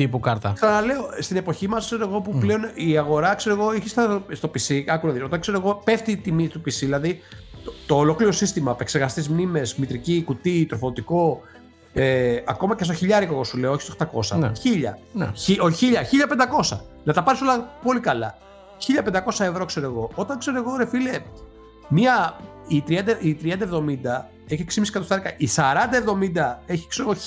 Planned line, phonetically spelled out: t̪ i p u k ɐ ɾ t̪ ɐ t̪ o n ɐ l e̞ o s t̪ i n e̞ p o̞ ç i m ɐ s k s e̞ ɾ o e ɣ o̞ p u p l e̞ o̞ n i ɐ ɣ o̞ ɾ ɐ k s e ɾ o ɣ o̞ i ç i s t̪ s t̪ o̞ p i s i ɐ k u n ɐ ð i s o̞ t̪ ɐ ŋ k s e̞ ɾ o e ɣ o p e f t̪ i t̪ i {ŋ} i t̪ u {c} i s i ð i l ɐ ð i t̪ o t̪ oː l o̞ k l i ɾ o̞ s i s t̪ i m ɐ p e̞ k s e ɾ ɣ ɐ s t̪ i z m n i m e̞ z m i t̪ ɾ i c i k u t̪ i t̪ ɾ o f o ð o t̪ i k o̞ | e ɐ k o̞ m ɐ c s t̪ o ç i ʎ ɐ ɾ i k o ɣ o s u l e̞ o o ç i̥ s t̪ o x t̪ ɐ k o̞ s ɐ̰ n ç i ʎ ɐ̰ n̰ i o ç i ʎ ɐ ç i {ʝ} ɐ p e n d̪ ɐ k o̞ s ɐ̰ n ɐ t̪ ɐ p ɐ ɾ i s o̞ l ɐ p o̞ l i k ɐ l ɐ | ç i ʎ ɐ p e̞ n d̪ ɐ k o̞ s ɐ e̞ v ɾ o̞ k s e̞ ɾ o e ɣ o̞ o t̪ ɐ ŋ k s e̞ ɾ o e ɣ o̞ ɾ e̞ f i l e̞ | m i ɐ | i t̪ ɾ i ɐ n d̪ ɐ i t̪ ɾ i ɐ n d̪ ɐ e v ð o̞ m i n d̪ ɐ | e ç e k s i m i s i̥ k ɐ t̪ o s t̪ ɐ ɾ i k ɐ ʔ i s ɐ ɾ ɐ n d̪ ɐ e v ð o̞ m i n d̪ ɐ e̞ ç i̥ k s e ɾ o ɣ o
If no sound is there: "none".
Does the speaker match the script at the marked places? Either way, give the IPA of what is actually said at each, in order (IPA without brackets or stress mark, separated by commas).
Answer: m, p, ʎ